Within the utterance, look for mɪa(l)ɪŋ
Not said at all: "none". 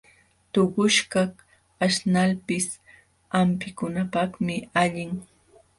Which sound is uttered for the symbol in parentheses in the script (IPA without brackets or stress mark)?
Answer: ʎ